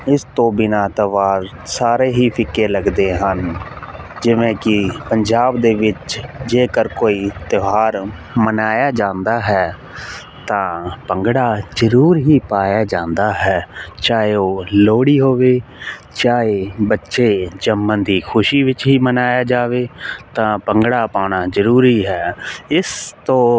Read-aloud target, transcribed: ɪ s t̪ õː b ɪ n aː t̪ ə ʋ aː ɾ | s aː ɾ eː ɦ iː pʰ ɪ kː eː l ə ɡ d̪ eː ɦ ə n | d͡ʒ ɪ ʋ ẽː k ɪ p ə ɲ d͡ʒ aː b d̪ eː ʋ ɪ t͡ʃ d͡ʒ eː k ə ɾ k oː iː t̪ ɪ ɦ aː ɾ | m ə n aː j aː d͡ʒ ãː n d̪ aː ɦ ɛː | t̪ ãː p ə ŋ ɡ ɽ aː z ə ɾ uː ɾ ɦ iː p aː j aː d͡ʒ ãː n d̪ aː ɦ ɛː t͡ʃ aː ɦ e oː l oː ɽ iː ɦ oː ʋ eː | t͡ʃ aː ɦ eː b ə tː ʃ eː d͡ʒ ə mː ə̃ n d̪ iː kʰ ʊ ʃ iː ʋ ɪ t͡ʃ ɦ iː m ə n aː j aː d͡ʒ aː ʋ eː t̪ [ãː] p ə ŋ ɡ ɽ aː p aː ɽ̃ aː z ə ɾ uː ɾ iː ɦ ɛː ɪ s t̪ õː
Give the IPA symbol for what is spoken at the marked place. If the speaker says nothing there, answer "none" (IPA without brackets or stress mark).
ãː